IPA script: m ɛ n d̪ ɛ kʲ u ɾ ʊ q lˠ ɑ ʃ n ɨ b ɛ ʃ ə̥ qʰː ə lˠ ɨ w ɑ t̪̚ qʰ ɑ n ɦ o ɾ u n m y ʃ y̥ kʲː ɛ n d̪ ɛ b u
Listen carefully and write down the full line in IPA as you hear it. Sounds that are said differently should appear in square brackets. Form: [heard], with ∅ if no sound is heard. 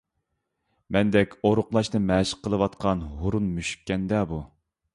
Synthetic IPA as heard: m ɛ n d̪ ɛ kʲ [o] ɾ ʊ q lˠ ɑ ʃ n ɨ [m] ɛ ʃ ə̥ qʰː ə lˠ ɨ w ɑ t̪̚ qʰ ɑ n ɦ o ɾ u n m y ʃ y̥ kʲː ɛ n d̪ ɛ b u